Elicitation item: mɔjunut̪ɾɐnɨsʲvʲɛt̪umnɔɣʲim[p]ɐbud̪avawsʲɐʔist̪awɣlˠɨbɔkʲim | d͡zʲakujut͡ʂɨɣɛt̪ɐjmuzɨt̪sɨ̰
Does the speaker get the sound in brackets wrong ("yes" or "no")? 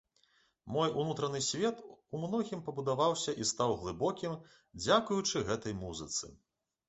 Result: no